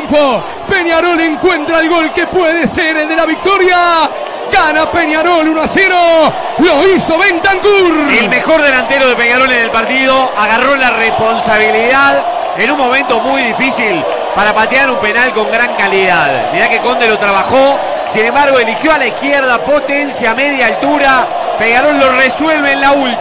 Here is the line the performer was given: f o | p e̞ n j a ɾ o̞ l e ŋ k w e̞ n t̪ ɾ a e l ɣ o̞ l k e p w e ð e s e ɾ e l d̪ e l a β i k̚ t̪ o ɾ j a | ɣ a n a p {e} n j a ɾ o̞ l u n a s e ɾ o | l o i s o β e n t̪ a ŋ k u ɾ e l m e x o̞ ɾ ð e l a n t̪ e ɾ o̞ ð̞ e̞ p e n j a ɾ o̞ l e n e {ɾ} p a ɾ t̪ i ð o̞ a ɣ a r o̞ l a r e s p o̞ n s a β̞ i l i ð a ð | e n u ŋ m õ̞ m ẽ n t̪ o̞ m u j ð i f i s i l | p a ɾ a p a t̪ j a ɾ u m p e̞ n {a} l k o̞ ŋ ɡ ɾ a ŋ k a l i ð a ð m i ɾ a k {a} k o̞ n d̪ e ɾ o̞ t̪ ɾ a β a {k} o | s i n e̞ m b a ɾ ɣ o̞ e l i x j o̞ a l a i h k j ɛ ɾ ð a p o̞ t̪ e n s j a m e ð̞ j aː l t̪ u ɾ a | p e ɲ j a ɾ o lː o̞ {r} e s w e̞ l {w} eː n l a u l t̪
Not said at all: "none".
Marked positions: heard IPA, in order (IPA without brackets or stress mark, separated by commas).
e, l, a, e, x, r, β